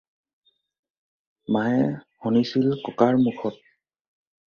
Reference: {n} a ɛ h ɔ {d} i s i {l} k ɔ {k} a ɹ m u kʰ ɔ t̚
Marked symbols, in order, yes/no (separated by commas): no, no, yes, yes